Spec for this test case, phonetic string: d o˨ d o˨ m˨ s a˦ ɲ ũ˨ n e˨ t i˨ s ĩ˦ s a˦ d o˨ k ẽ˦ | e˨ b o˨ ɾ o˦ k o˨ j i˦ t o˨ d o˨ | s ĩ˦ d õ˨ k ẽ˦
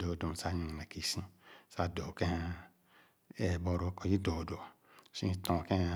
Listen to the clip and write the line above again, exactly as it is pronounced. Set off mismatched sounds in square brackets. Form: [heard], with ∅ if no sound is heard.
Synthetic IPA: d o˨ d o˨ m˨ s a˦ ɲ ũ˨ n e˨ [k] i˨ s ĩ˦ s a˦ d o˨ k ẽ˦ | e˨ b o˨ ɾ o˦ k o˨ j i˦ [d] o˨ d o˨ | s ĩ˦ [t] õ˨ k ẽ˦